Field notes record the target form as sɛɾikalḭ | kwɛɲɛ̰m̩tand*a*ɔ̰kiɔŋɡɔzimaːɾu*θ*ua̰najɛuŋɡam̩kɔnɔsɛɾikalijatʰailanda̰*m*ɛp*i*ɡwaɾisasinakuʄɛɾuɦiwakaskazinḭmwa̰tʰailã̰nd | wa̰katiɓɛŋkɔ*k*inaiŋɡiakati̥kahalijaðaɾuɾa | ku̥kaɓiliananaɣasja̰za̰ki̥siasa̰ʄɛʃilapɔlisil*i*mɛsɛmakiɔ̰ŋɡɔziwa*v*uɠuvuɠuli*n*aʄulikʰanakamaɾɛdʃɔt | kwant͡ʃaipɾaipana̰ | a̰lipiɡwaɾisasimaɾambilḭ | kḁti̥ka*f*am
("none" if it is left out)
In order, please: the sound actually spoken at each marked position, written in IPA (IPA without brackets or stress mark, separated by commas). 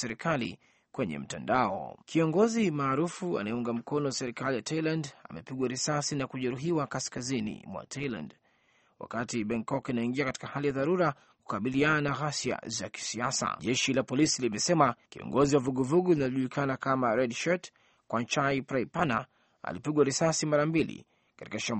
a, f, m, i, k, i, v, n, ʃ